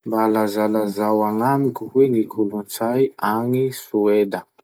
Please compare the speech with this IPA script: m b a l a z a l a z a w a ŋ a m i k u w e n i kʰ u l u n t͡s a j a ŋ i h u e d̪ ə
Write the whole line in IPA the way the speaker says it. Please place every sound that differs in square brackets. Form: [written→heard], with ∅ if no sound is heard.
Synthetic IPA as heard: m b a l a z a l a z a w a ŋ a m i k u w e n i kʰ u l u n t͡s a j a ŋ i [h→s] u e d̪ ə